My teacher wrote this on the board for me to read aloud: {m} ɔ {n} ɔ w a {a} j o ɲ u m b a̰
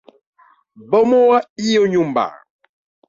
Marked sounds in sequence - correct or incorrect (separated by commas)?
incorrect, incorrect, incorrect